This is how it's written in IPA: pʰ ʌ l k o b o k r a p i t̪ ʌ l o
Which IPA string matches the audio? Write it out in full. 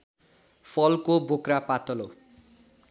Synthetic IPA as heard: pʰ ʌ l k o b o k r a p a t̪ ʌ l o